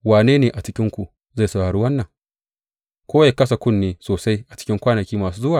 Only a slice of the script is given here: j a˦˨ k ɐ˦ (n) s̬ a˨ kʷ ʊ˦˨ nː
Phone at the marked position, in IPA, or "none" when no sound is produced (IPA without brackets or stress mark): none